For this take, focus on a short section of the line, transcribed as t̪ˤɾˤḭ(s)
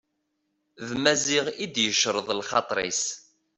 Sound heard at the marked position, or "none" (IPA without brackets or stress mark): s